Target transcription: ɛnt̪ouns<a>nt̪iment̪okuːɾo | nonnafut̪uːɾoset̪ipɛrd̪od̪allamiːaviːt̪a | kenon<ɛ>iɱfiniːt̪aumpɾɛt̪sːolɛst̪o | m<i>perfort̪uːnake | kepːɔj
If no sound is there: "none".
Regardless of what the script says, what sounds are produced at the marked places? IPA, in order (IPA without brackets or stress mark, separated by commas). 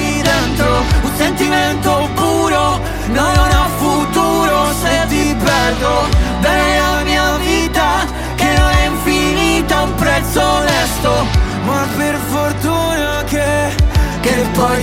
e, ɛ, a